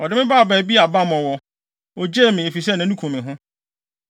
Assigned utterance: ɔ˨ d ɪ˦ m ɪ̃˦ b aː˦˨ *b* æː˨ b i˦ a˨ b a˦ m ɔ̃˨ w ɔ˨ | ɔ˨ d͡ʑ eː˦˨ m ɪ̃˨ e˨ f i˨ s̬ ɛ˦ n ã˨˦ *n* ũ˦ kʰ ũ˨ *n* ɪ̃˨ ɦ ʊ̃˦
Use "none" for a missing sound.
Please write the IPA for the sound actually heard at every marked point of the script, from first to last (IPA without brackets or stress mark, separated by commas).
b, n, m